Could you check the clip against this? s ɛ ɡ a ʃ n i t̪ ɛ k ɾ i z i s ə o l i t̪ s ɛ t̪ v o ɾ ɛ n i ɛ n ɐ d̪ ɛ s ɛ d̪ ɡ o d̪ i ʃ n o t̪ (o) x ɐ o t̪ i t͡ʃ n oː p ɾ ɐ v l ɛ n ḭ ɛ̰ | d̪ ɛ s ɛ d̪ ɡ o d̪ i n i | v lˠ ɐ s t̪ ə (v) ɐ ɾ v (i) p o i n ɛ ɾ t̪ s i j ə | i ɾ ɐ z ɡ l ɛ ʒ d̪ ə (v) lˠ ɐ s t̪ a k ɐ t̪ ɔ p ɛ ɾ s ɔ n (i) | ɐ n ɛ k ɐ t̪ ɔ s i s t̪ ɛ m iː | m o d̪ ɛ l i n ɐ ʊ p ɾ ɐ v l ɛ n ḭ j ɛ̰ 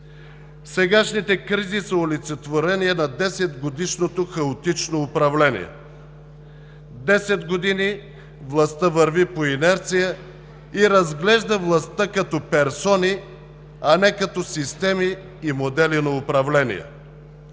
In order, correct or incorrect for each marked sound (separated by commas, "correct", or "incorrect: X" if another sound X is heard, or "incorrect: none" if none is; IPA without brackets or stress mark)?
correct, correct, correct, correct, correct